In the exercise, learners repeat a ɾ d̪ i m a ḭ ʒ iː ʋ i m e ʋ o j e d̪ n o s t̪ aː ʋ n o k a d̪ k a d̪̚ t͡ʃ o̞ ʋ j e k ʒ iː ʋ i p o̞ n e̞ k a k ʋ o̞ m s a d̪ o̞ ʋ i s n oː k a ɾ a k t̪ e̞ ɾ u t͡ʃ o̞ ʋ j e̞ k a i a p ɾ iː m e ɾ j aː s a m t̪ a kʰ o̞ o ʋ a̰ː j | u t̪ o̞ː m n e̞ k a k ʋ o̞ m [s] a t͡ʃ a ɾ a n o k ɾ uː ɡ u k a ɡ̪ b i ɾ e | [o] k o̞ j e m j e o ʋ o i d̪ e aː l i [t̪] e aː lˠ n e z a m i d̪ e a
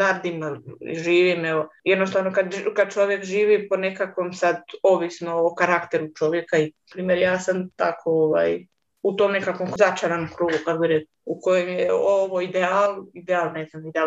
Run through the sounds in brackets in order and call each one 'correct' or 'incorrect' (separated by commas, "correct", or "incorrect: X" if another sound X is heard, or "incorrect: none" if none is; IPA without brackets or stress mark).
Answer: incorrect: z, incorrect: u, incorrect: d̪